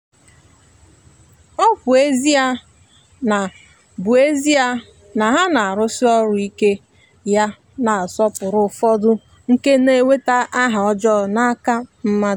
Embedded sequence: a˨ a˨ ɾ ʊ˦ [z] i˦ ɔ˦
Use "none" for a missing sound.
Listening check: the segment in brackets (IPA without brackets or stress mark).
s